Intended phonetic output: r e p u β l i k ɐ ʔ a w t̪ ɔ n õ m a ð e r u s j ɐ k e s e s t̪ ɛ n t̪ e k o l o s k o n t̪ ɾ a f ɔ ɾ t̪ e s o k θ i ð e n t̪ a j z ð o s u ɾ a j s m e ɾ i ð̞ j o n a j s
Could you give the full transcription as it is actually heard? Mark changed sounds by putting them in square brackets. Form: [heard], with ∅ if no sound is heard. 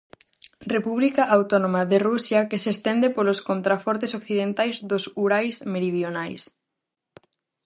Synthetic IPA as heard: r e p u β l i k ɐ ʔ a w t̪ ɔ n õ m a ð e r u s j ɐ k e s e s t̪ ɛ n [d̪] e [p] o l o s k o n t̪ ɾ a f ɔ ɾ t̪ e s o k θ i ð e n t̪ a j z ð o s u ɾ a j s m e ɾ i ð̞ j o n a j s